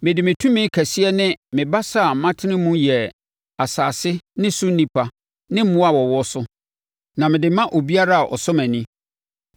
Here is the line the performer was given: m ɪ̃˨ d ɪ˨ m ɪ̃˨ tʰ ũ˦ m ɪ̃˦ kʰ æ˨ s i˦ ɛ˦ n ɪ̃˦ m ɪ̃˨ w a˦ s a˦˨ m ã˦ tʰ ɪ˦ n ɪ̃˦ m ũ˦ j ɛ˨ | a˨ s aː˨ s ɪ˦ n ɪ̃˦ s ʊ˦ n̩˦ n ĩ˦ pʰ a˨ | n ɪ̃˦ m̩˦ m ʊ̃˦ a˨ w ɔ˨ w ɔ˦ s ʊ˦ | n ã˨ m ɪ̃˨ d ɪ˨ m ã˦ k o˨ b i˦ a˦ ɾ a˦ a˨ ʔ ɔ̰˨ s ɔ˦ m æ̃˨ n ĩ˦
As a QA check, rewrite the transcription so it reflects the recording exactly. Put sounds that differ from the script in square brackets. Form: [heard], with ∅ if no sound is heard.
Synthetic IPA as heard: m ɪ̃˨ d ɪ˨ m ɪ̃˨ tʰ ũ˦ m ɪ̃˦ kʰ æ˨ s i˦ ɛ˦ n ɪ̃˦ m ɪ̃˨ [b] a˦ s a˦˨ m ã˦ tʰ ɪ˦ n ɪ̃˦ m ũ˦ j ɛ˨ | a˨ s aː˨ s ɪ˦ n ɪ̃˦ s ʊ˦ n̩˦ n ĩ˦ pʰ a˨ | n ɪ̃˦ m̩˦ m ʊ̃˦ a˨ w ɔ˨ w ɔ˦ s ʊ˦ | n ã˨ m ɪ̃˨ d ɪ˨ m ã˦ [ʔ] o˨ b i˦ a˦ ɾ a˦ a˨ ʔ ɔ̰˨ s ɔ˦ m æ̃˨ n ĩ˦